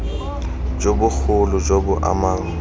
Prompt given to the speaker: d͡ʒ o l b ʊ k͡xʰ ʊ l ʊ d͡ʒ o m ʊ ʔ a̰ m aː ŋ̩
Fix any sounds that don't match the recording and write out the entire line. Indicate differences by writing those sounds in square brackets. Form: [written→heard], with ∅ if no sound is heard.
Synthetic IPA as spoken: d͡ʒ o [l→∅] b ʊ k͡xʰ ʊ l ʊ d͡ʒ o [m→b] ʊ ʔ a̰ m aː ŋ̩